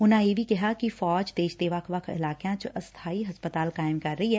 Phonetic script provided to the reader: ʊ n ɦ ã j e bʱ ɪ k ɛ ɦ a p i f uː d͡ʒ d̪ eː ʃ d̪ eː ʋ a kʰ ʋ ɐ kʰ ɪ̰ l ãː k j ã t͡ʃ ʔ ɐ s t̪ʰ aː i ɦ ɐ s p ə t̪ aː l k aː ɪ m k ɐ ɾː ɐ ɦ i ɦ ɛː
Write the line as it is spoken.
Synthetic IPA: ʊ n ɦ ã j e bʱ i k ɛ ɦ a k i f ɔː d͡ʒ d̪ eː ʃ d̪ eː ʋ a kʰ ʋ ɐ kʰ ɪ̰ l aː k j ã t͡ʃ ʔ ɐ s t̪ʰ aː i ɦ ɐ s p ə t̪ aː l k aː ɪ m k ɐ ɾː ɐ ɦ i ɦ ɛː